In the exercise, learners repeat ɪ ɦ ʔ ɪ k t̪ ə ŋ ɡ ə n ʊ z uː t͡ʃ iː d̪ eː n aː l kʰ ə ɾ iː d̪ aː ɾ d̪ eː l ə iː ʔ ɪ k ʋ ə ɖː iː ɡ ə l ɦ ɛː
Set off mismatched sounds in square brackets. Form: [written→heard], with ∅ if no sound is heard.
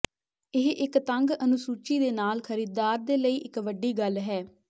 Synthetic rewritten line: ɪ ɦ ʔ ɪ k t̪ ə ŋ ɡ ə n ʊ [z→s] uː t͡ʃ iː d̪ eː n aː l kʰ ə ɾ iː d̪ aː ɾ d̪ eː l ə iː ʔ ɪ k ʋ ə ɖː iː ɡ ə l ɦ ɛː